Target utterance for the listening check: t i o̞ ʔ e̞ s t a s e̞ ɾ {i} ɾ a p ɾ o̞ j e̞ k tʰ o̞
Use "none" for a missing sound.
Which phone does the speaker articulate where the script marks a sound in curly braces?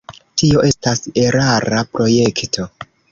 a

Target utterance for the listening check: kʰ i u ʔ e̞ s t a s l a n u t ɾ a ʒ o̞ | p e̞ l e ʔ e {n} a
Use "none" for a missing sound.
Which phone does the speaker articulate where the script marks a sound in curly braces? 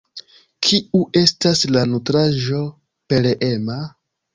m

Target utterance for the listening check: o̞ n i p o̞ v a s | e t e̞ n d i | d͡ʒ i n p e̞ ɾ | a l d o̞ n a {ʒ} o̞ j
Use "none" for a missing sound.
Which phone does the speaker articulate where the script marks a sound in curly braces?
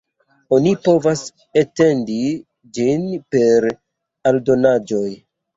d͡ʒ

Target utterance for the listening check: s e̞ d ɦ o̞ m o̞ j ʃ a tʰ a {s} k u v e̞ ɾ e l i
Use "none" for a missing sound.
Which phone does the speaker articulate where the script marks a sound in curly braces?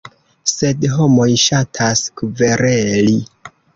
s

